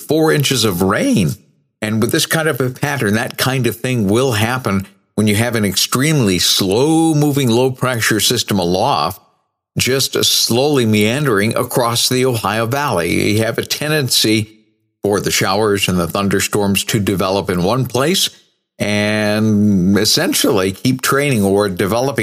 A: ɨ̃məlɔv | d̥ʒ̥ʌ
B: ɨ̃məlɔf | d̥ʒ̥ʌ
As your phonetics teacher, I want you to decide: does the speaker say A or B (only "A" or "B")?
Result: B